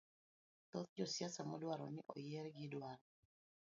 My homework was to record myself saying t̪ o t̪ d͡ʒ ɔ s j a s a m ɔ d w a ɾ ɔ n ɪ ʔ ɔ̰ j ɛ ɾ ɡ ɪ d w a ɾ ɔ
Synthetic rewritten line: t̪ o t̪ d͡ʒ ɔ s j a s a m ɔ d w a ɾ ɔ n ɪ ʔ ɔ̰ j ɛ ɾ ɡ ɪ d w a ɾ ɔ